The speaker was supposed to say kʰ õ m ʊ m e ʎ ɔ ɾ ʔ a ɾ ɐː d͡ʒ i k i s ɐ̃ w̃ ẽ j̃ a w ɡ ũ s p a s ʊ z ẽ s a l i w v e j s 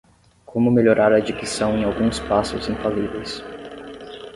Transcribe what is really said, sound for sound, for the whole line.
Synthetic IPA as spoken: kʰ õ m ʊ m e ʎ o ɾ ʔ a ɾ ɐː d͡ʒ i k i s ɐ̃ w̃ ẽ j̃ a w ɡ ũ s p a s ʊ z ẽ f a l i v e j s

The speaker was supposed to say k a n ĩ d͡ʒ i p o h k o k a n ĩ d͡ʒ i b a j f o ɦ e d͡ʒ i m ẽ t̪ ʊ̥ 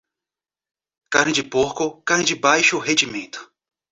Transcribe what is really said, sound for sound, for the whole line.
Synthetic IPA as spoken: k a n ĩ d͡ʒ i p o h k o k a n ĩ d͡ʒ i b a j ʃ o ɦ e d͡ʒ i m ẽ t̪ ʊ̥

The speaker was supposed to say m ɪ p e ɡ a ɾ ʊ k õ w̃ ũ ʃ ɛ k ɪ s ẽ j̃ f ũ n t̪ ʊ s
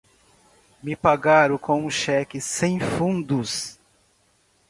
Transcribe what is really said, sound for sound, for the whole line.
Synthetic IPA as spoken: m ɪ p a ɡ a ɾ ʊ k õ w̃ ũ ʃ ɛ k ɪ s ẽ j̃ f ũ n d̪ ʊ s

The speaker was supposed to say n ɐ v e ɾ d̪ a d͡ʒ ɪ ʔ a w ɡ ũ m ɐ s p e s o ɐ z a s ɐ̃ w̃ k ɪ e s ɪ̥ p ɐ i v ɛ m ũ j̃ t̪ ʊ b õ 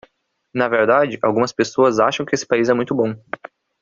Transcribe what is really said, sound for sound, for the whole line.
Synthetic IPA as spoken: n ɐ v e ɾ d̪ a d͡ʒ ɪ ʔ a w ɡ ũ m ɐ s p e s o ɐ z a ʃ ɐ̃ w̃ k ɪ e s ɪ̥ p a i z ɛ m ũ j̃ t̪ ʊ b õ

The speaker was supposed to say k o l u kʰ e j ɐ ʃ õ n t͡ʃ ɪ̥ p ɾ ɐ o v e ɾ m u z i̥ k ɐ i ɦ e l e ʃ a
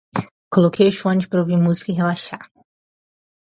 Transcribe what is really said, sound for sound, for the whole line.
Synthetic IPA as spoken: k o l o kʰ e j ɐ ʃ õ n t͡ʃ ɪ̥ p ɾ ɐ o v i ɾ m u z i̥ k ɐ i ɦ e l a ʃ a

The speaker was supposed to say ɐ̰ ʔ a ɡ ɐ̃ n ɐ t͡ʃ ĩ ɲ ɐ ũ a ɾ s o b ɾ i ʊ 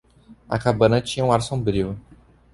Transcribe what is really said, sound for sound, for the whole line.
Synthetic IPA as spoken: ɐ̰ k a b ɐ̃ n ɐ t͡ʃ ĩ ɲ ɐ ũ a ɾ s õ b ɾ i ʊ

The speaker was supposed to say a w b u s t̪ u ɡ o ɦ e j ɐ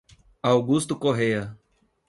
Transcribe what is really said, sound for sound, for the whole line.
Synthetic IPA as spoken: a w ɡ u s t̪ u k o ɦ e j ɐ

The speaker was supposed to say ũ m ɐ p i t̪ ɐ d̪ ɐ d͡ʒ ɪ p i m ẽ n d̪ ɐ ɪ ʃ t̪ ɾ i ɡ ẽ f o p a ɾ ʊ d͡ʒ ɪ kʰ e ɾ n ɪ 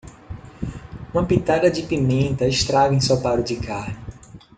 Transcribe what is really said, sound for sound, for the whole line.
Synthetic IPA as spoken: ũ m ɐ p i t̪ a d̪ ɐ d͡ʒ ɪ p i m ẽ n t̪ ɐ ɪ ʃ t̪ ɾ a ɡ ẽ s o p a ɾ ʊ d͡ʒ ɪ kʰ a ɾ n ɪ

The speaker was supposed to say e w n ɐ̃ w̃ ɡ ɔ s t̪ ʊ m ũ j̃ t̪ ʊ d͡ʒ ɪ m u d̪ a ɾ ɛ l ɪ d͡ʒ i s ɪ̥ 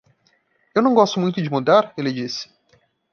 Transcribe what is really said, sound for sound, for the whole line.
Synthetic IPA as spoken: e w n ɐ̃ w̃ ɡ ɔ s t̪ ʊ m ũ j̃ t̪ ʊ d͡ʒ ɪ m u d̪ a ɾ e l ɪ d͡ʒ i s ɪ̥

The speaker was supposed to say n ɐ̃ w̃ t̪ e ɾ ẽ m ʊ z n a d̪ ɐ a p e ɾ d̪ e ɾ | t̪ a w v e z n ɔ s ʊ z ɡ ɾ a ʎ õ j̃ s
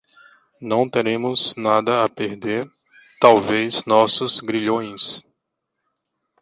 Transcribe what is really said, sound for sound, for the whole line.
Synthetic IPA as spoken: n ɐ̃ w̃ t̪ e ɾ ẽ m ʊ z n a d̪ ɐ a p e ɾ d̪ e ɾ | t̪ a w v e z n ɔ s ʊ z ɡ ɾ i ʎ õ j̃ s

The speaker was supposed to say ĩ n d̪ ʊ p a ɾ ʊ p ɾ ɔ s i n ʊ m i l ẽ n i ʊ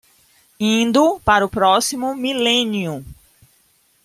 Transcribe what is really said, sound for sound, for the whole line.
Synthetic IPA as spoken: ĩ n d̪ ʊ p a ɾ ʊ p ɾ ɔ s i m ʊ m i l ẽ n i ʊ

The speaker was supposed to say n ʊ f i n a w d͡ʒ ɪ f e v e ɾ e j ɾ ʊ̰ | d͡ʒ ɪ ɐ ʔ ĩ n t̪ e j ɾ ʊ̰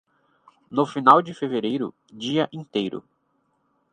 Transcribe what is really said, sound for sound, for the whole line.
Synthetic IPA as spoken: n ʊ f i n a w d͡ʒ ɪ f e v e ɾ e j ɾ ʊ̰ | d͡ʒ i ɐ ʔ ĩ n t̪ e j ɾ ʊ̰

